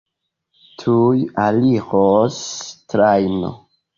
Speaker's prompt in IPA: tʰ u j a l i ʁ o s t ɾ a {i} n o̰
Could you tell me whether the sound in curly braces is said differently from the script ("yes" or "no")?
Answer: yes